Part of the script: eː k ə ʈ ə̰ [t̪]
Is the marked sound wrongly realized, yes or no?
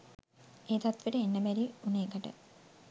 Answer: yes